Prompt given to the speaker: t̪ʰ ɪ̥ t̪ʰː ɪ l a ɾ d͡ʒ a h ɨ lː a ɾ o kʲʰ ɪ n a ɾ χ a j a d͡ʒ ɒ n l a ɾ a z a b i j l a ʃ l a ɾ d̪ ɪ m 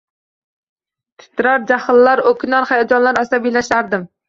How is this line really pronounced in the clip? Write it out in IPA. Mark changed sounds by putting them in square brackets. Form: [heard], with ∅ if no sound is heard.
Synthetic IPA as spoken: t̪ʰ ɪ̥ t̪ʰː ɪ [ɾ] a ɾ d͡ʒ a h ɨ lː a ɾ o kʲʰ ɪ n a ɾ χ a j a d͡ʒ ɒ n l a ɾ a [s] a b i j l a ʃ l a ɾ d̪ ɪ m